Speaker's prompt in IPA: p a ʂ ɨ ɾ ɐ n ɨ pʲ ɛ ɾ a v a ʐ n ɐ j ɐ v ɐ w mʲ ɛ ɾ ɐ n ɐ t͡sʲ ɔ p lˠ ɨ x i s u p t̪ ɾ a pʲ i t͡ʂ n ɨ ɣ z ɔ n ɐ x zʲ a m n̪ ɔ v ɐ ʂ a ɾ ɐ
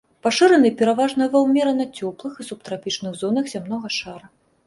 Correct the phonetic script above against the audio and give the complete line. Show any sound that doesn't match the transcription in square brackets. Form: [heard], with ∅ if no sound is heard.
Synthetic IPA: p a ʂ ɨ ɾ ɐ n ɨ pʲ ɛ ɾ a v a ʐ n ɐ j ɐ v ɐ w mʲ ɛ ɾ ɐ n ɐ t͡sʲ ɔ p lˠ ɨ x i s u p t̪ ɾ a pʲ i t͡ʂ n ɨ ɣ z ɔ n ɐ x zʲ a m n̪ ɔ [ɣ] ɐ ʂ a ɾ ɐ

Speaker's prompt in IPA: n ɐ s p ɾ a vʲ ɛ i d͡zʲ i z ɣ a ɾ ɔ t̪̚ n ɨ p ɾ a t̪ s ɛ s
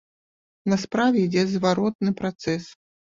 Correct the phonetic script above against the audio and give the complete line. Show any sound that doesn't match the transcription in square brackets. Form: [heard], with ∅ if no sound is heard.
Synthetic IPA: n ɐ s p ɾ a vʲ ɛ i d͡zʲ [ɛ] z [v] a ɾ ɔ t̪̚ n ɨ p ɾ a t̪ s ɛ s

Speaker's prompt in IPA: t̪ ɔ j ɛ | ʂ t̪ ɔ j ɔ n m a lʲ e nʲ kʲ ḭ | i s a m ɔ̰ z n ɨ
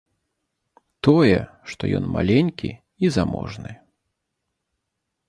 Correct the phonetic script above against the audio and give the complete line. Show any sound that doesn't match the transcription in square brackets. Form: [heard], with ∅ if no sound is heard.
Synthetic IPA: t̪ ɔ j ɛ | ʂ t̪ ɔ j ɔ n m a lʲ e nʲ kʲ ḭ | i [z] a m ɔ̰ [ʐ] n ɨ

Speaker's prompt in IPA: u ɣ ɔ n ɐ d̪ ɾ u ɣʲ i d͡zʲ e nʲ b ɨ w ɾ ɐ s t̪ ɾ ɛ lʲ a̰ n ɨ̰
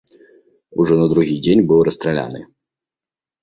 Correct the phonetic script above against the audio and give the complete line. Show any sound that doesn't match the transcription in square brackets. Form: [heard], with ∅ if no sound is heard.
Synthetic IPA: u [ʐ] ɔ n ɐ d̪ ɾ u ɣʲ i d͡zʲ e nʲ b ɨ w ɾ ɐ s t̪ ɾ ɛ lʲ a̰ n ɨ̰

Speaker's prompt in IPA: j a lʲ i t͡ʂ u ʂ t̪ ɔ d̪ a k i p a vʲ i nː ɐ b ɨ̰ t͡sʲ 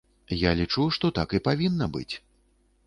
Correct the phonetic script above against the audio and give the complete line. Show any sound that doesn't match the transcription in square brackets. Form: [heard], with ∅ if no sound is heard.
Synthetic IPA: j a lʲ i t͡ʂ u ʂ t̪ ɔ [t̪] a k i p a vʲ i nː ɐ b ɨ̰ t͡sʲ

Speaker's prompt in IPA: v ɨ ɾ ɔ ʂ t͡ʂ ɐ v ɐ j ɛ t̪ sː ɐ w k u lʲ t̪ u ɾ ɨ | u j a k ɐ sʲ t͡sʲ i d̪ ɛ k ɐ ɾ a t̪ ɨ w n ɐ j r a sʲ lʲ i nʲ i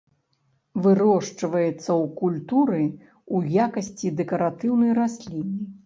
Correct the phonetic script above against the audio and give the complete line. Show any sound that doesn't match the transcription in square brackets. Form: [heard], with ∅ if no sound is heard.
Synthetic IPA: v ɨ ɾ ɔ ʂ t͡ʂ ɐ v ɐ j ɛ t̪ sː ɐ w k u lʲ t̪ u ɾ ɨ | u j a k ɐ sʲ t͡sʲ i d̪ ɛ k ɐ ɾ a t̪ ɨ w n ɐ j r a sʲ lʲ i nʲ i

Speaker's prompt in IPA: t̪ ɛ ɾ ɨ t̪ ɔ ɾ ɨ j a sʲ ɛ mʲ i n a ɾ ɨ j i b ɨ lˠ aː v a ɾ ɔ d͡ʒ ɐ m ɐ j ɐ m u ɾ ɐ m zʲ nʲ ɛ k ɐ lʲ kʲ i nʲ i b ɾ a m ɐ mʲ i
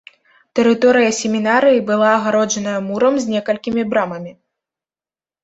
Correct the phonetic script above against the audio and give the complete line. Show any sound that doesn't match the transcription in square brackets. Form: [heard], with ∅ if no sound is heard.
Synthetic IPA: t̪ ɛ ɾ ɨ t̪ ɔ ɾ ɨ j [ɐ] sʲ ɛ mʲ i n a ɾ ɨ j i b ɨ lˠ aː [ɣ] a ɾ ɔ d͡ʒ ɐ [n] ɐ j ɐ m u ɾ ɐ m zʲ nʲ ɛ k ɐ lʲ kʲ i [mʲ] i b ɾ a m ɐ mʲ i

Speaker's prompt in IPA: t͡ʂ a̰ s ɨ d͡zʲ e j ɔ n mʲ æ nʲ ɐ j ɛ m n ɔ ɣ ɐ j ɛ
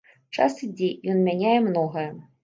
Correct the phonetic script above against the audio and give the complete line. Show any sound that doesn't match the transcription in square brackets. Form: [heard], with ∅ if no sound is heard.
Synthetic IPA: t͡ʂ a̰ s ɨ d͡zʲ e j ɔ n mʲ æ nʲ [a] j ɛ m n ɔ ɣ ɐ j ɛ

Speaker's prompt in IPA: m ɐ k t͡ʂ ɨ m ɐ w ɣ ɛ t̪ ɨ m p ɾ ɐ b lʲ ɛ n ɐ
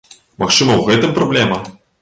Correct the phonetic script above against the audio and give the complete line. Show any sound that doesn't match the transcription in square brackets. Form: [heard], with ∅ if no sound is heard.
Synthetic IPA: m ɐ [x] t͡ʂ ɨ m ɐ w ɣ ɛ t̪ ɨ m p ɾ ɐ b lʲ ɛ [m] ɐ

